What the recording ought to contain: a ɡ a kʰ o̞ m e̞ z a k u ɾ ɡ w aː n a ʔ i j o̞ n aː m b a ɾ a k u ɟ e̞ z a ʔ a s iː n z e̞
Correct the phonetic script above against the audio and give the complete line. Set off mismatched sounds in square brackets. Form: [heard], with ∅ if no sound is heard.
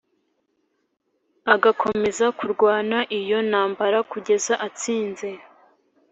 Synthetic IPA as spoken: a ɡ a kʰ o̞ m e̞ z a k u ɾ ɡ w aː n a ʔ i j o̞ n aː m b a ɾ a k u ɟ e̞ z a ʔ a [t͡s] iː n z e̞

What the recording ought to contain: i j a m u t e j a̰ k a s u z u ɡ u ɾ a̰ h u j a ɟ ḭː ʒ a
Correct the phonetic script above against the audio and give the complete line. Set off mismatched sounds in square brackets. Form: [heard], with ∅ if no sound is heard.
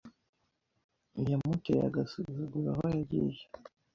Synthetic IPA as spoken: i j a m u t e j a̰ [ɡ] a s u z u ɡ u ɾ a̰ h [o] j a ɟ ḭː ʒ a

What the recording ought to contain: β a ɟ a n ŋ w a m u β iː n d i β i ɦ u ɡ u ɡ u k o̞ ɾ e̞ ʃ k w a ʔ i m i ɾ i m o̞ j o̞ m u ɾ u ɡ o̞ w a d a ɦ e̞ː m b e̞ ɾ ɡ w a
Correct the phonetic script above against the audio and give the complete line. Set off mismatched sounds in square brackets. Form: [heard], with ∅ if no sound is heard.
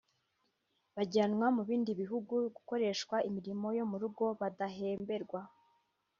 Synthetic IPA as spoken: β a ɟ a n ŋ w a m u β iː n d i β i ɦ u ɡ u ɡ u k o̞ ɾ e̞ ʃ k w a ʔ i m i ɾ i m o̞ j o̞ m u ɾ u ɡ o̞ [β] a d a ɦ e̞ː m b e̞ ɾ ɡ w a

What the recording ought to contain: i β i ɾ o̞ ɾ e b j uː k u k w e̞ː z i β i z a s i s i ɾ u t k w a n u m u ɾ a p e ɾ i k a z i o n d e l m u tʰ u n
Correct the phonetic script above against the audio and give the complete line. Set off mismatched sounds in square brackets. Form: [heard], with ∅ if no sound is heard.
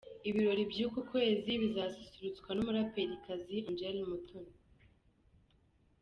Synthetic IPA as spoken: i β i ɾ o̞ ɾ [i] b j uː k u k w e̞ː z i β i z a s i s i ɾ u [t͡s] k w a n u m u ɾ a p e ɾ i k a z i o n [d͡ʒ] e l m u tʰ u n

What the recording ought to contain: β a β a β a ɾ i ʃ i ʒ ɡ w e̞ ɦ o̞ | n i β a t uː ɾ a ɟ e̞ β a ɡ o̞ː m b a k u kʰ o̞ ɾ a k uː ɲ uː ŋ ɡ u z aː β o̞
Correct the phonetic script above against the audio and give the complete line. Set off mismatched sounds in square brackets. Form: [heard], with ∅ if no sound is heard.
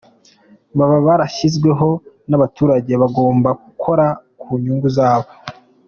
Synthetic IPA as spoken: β a β a β a ɾ [a] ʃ i [z] ɡ w e̞ ɦ o̞ | n [a] β a t uː ɾ a ɟ e̞ β a ɡ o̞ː m b a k u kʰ o̞ ɾ a k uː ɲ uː ŋ ɡ u z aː β o̞

